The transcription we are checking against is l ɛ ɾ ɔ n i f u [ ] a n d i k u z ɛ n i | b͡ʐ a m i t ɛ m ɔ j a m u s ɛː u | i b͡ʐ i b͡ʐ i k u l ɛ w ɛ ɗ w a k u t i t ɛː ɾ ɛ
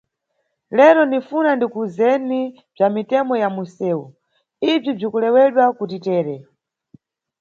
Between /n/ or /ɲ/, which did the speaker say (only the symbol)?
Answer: n